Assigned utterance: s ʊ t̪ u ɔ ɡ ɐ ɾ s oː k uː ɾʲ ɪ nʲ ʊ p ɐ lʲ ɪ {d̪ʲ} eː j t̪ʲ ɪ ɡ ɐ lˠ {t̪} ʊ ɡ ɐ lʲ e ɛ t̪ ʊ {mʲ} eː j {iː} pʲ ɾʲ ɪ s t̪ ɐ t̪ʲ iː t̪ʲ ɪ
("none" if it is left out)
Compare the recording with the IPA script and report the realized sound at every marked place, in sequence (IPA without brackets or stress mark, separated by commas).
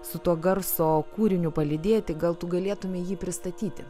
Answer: d̪ʲ, t̪, mʲ, iː